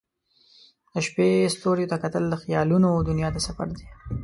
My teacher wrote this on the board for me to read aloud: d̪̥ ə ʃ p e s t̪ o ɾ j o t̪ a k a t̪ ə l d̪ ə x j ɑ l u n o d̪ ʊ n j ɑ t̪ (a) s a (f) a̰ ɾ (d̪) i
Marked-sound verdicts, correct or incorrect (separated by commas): correct, correct, correct